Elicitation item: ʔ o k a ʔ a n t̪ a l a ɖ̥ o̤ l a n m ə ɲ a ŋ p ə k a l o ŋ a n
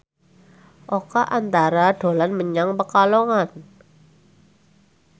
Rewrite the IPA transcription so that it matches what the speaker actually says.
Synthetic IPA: ʔ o k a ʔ a n t̪ a ɾ a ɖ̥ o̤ l a n m ə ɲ a ŋ p ə k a l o ŋ a n